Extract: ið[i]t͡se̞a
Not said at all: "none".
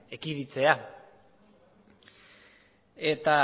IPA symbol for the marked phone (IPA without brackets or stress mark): i